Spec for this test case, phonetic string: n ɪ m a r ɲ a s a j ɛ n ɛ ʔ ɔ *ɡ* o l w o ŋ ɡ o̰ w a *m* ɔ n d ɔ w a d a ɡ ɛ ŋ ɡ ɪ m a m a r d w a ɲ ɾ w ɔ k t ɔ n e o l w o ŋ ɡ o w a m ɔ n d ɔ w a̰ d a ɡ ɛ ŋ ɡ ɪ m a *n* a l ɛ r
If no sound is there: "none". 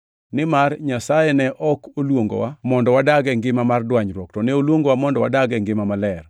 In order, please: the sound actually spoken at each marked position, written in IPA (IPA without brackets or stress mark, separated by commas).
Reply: k, m, m